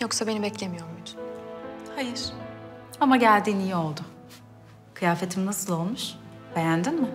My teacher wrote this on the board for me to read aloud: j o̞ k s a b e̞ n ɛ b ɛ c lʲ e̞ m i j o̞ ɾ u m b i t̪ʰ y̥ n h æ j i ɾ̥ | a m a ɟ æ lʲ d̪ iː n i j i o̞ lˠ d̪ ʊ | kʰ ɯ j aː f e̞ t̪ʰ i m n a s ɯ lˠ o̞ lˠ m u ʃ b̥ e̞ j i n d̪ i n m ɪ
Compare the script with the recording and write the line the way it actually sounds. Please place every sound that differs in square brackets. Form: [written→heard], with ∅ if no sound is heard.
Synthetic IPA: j o̞ k s a b e̞ n [ɛ→i] b ɛ c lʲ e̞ m i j o̞ ɾ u m b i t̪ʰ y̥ n h [æ→a] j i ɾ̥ | a m a ɟ æ lʲ d̪ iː n i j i o̞ lˠ d̪ ʊ | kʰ ɯ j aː f e̞ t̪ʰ i m n a s ɯ lˠ o̞ lˠ m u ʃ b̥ e̞ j [i→æ] n d̪ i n m ɪ